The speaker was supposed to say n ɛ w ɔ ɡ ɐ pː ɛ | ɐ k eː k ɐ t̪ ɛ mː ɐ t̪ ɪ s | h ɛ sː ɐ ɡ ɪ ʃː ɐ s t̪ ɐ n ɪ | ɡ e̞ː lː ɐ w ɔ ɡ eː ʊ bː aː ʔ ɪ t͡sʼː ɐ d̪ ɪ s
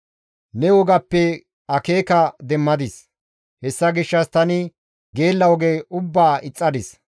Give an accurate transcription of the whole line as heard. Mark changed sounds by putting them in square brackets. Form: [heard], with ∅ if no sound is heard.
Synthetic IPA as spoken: n ɛ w ɔ ɡ ɐ pː ɛ | ɐ k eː k ɐ [d̪] ɛ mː ɐ [d̪] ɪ s | h ɛ sː ɐ ɡ ɪ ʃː ɐ s t̪ ɐ n ɪ | ɡ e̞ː lː ɐ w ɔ ɡ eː ʊ bː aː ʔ ɪ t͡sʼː ɐ d̪ ɪ s

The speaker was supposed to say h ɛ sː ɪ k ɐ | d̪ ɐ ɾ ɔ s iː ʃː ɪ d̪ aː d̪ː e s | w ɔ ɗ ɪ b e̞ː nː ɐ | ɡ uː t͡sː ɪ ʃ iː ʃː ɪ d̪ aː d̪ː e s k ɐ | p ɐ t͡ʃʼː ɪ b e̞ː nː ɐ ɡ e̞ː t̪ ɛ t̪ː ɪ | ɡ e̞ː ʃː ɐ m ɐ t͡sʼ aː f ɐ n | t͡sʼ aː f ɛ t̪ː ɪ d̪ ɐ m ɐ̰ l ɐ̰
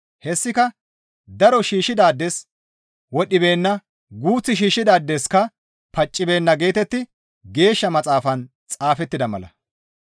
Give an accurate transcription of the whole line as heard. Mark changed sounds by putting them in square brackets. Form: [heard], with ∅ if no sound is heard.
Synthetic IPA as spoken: h ɛ sː ɪ k ɐ | d̪ ɐ ɾ ɔ [ʃ] iː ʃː ɪ d̪ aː d̪ː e s | w ɔ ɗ ɪ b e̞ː nː ɐ | ɡ uː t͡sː ɪ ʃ iː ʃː ɪ d̪ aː d̪ː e s k ɐ | p ɐ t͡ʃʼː ɪ b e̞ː nː ɐ ɡ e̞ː t̪ ɛ t̪ː ɪ | ɡ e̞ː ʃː ɐ m ɐ t͡sʼ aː f ɐ n | t͡sʼ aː f ɛ t̪ː ɪ d̪ ɐ m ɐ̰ l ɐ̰

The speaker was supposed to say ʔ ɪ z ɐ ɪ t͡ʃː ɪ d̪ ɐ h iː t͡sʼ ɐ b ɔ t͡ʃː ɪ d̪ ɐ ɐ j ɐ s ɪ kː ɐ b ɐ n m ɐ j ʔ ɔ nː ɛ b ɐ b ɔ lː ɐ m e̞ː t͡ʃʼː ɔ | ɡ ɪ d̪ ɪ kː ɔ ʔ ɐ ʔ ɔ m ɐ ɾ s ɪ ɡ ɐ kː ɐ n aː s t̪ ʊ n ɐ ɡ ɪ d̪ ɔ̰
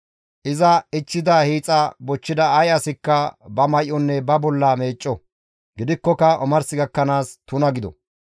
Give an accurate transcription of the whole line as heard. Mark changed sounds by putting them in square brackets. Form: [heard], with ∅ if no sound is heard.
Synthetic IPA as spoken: ʔ ɪ z ɐ ɪ t͡ʃː ɪ d̪ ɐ h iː t͡sʼ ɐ b ɔ t͡ʃː ɪ d̪ ɐ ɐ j ɐ s ɪ kː ɐ b ɐ [∅] m ɐ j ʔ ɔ nː ɛ b ɐ b ɔ lː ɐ m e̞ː t͡ʃʼː ɔ | ɡ ɪ d̪ ɪ kː ɔ [k] ɐ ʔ ɔ m ɐ ɾ s ɪ ɡ ɐ kː ɐ n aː s t̪ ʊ n ɐ ɡ ɪ d̪ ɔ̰

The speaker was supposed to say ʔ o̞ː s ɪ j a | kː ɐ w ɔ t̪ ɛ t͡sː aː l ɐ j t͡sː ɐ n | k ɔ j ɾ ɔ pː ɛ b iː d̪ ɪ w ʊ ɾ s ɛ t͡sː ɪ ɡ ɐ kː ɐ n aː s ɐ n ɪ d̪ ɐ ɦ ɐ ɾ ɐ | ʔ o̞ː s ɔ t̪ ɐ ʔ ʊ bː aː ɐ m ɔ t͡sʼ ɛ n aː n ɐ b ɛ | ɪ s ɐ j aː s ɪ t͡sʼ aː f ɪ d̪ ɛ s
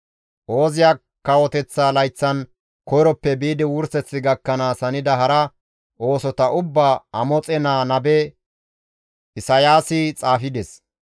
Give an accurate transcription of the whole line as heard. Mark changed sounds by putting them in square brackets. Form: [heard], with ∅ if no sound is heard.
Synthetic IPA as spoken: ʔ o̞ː [z] ɪ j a | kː ɐ w ɔ t̪ ɛ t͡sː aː l ɐ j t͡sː ɐ n | k ɔ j ɾ ɔ pː ɛ b iː d̪ ɪ w ʊ ɾ s ɛ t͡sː ɪ ɡ ɐ kː ɐ n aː s ɐ n ɪ d̪ ɐ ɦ ɐ ɾ ɐ | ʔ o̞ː s ɔ t̪ ɐ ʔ ʊ bː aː ɐ m ɔ t͡sʼ ɛ n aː n ɐ b ɛ | ɪ s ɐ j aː s ɪ t͡sʼ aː f ɪ d̪ ɛ s

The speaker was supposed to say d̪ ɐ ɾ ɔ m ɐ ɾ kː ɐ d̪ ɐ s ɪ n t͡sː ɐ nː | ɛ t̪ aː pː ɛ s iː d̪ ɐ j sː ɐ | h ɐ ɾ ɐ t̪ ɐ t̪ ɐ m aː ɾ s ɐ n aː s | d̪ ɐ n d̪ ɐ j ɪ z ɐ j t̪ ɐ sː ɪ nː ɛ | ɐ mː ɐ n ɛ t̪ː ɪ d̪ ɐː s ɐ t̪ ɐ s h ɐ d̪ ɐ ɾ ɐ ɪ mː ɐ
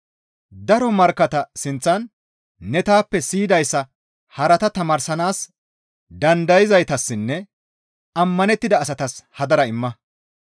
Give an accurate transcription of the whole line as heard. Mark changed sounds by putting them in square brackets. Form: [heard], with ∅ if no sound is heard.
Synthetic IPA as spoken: d̪ ɐ ɾ ɔ m ɐ ɾ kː ɐ [t̪] ɐ s ɪ n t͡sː ɐ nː | ɛ t̪ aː pː ɛ s iː d̪ ɐ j sː ɐ | h ɐ ɾ ɐ t̪ ɐ t̪ ɐ m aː ɾ s ɐ n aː s | d̪ ɐ n d̪ ɐ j ɪ z ɐ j t̪ ɐ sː ɪ nː ɛ | ɐ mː ɐ n ɛ t̪ː ɪ d̪ ɐː s ɐ t̪ ɐ s h ɐ d̪ ɐ ɾ ɐ ɪ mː ɐ

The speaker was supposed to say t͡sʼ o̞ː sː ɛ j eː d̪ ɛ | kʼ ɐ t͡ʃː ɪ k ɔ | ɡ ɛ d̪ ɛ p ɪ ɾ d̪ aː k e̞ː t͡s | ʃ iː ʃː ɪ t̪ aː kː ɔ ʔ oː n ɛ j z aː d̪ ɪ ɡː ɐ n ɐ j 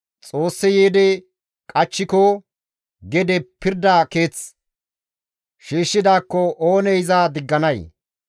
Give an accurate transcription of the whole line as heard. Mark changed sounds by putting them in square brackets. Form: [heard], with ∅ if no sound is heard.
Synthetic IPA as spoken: t͡sʼ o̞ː sː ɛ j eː d̪ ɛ | kʼ ɐ t͡ʃː ɪ k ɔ | ɡ ɛ d̪ ɛ p ɪ ɾ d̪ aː k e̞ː t͡s | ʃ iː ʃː ɪ [d̪] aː kː ɔ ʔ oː n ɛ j z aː d̪ ɪ ɡː ɐ n ɐ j

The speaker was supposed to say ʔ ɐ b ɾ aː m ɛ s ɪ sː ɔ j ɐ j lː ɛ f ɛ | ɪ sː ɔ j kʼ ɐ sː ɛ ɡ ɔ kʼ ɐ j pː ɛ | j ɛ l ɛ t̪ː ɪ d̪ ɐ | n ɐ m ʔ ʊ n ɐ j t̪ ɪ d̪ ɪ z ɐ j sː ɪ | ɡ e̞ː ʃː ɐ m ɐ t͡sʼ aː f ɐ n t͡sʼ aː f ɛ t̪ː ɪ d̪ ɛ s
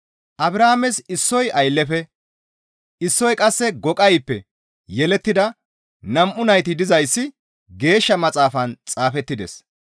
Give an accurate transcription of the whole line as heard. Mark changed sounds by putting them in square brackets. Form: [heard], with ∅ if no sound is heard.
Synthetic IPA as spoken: ʔ ɐ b ɾ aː m ɛ s ɪ sː ɔ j ɐ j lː ɛ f ɛ | ɪ sː ɔ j kʼ ɐ sː ɛ ɡ ɔ kʼ ɐ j pː ɛ | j ɛ l ɛ t̪ː ɪ d̪ ɐ | n ɐ m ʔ ʊ n ɐ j t̪ ɪ d̪ ɪ z ɐ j sː ɪ | ɡ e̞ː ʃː ɐ m ɐ t͡sʼ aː f ɐ n t͡sʼ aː f ɛ t̪ː ɪ d̪ ɛ s

